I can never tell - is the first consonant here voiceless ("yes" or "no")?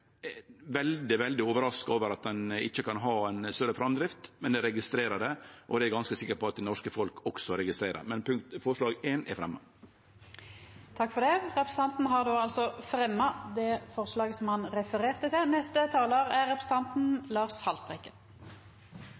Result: no